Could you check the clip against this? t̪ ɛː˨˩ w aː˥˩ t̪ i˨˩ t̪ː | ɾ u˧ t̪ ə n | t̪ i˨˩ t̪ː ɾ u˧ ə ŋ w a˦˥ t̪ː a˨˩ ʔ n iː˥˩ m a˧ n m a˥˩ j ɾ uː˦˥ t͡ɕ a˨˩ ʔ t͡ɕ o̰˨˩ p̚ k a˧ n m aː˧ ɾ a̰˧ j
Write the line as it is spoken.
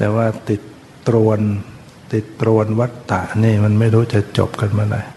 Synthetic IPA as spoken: t̪ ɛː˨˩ w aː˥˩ t̪ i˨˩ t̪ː | ɾ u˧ ə n | t̪ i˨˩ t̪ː ɾ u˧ ə n w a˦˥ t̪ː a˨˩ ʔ n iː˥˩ m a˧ n m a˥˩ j ɾ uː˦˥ t͡ɕ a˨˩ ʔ t͡ɕ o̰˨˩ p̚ k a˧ n m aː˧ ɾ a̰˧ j